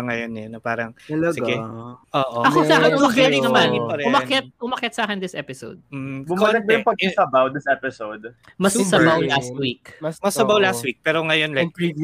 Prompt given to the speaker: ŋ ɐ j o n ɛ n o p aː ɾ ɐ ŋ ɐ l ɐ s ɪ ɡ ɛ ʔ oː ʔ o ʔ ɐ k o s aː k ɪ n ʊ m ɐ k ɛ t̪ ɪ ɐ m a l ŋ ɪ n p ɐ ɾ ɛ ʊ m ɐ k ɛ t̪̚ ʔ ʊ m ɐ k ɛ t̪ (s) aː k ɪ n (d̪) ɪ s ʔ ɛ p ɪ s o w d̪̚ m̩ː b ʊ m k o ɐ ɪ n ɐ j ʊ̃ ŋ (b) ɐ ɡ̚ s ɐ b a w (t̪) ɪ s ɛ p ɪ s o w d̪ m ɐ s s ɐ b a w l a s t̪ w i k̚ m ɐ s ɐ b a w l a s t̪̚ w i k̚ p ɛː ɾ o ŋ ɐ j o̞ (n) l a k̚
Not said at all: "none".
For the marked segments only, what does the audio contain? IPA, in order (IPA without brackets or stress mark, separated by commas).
s, d̪, p, d̪, n